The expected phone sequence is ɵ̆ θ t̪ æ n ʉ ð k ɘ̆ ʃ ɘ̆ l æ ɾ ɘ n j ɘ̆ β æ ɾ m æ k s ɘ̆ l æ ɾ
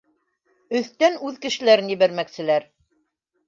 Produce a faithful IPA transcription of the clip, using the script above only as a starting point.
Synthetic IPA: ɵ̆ θ t̪ æ n ʉ ð k ɘ̆ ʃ ɘ̆ l æ ɾ ɘ n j ɘ̆ β æ ɾ m æ k s ɘ̆ l æ ɾ